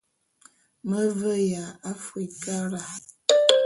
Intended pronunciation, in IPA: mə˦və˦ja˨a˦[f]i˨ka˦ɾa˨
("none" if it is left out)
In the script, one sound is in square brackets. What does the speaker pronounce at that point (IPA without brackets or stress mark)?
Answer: f